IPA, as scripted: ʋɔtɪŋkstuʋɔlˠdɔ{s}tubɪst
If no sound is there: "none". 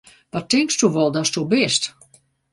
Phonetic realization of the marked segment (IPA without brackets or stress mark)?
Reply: s